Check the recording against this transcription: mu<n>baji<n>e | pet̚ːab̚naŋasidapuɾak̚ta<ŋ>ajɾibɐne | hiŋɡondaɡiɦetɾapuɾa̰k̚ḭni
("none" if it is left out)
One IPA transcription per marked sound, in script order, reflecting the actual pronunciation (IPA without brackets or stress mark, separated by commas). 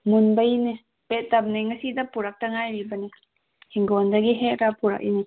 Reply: n, n, ŋ